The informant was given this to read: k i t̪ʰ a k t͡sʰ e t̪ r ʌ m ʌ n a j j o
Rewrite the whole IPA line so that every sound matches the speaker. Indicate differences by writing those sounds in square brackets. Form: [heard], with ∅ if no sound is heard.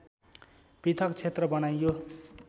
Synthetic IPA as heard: [p] i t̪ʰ [ʌ] k t͡sʰ e t̪ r ʌ [b] ʌ n a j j o